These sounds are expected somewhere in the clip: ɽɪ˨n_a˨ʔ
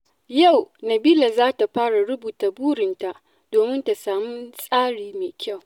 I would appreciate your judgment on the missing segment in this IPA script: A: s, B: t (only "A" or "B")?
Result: B